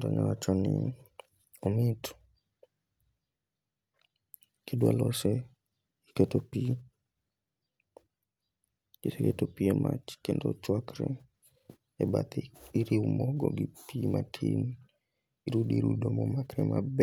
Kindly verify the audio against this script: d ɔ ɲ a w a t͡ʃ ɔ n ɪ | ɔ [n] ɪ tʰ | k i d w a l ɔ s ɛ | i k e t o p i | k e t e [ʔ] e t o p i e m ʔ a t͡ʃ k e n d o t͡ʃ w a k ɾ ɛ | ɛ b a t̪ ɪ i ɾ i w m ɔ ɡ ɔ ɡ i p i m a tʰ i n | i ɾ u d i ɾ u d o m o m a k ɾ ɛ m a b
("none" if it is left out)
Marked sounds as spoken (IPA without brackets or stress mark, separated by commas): m, k